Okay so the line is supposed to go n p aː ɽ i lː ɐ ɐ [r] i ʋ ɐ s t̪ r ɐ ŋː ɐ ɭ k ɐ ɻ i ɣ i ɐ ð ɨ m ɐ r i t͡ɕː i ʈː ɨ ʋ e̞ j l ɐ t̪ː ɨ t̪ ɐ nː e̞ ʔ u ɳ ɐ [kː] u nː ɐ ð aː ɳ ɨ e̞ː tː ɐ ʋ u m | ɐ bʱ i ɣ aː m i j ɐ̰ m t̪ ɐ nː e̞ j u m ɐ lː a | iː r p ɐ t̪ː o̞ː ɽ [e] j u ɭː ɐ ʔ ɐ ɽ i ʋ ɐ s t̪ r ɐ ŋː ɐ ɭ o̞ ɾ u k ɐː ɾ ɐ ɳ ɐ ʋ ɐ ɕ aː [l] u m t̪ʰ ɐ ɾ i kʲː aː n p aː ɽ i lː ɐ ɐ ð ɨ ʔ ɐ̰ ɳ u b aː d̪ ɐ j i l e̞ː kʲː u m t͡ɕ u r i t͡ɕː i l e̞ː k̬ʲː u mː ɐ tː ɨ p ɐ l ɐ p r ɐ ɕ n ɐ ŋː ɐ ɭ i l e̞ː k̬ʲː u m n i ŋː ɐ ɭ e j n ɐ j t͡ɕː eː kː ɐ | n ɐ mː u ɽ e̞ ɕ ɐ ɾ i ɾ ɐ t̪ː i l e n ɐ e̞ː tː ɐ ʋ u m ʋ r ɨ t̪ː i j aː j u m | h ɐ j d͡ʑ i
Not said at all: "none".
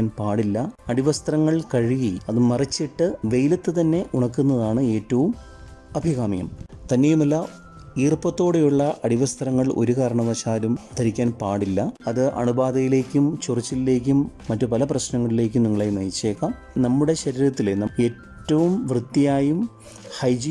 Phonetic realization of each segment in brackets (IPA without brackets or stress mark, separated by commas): ɽ, kː, e, l